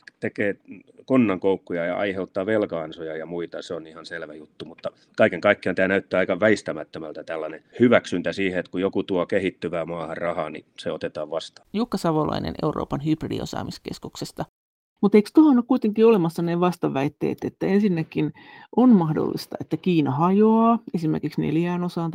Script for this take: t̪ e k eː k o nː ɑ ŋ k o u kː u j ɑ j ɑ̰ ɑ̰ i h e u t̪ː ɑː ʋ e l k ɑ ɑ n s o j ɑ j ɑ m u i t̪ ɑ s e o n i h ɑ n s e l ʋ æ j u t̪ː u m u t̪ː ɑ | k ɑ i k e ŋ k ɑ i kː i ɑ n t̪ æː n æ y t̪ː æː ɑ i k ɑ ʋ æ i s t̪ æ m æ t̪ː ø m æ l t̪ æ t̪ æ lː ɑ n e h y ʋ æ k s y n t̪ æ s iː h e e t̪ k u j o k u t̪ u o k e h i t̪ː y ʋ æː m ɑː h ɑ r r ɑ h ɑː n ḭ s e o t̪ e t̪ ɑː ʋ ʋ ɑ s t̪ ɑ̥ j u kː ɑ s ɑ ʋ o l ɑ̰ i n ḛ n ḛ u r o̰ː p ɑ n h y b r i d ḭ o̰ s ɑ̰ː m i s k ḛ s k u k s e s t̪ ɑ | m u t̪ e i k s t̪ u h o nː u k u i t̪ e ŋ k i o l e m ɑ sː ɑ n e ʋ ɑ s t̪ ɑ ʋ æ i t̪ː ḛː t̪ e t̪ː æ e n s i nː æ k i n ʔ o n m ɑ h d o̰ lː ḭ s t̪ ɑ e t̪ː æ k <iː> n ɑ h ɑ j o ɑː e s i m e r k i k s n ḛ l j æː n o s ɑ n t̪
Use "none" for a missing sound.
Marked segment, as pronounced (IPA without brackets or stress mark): iː